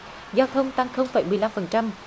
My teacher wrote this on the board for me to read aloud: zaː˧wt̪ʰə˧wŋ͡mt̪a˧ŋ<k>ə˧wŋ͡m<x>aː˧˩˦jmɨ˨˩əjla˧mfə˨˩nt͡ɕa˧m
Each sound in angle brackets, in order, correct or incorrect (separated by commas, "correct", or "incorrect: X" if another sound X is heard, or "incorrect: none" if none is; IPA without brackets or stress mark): incorrect: x, incorrect: f